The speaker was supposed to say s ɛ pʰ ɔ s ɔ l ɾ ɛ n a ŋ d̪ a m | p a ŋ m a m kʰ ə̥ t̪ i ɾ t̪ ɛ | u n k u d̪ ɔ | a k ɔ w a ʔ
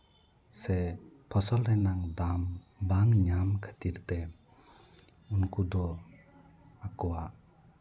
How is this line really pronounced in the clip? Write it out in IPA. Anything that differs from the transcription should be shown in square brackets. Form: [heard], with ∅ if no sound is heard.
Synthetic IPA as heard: s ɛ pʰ ɔ s ɔ l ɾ ɛ n a ŋ d̪ a m | [b] a ŋ [ɲ] a m kʰ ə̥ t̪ i ɾ t̪ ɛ | u n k u d̪ ɔ | a k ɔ w a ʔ